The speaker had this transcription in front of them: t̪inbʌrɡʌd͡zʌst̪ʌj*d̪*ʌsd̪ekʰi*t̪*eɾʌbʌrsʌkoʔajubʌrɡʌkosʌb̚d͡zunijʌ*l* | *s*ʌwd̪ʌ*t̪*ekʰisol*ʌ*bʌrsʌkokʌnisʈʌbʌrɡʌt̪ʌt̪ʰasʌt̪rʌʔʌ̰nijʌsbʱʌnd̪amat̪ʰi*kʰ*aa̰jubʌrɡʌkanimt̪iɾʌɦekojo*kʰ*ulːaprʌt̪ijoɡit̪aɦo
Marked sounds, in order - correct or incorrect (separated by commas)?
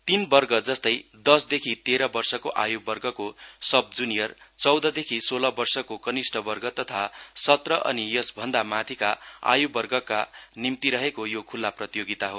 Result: correct, correct, incorrect, incorrect, incorrect, correct, incorrect, correct